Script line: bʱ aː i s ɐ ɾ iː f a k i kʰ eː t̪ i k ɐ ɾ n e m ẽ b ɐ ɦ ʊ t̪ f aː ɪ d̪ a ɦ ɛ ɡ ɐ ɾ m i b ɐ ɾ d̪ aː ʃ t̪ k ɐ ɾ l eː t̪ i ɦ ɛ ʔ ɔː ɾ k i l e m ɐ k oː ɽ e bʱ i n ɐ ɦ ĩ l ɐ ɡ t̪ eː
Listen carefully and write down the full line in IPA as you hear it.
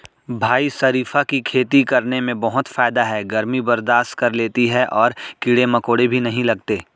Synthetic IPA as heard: bʱ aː i s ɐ ɾ iː f a k i kʰ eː t̪ i k ɐ ɾ n e m ẽ b ɐ ɦ ʊ t̪ f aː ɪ d̪ a ɦ ɛ ɡ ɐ ɾ m i b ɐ ɾ d̪ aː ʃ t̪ k ɐ ɾ l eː t̪ i ɦ ɛ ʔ ɔː ɾ k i ɽ e m ɐ k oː ɽ e bʱ i n ɐ ɦ ĩ l ɐ ɡ t̪ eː